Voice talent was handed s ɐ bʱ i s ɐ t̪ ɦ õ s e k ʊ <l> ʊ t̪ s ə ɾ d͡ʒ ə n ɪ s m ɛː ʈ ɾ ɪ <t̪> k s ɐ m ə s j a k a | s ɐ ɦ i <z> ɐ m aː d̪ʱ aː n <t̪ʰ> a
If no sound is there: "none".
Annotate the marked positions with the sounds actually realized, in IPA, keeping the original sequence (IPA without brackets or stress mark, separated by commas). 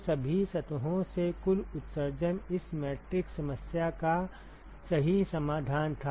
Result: l, none, s, t̪ʰ